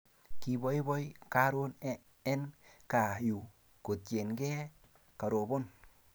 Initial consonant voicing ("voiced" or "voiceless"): voiceless